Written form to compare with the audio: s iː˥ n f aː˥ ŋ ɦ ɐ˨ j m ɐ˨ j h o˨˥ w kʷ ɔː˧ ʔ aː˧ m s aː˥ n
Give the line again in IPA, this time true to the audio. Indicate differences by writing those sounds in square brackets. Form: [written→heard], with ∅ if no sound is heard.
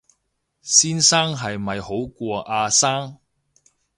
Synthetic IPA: s iː˥ n [f→s] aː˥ ŋ ɦ ɐ˨ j m ɐ˨ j h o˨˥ w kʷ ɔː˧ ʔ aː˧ [m→∅] s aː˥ [n→ŋ]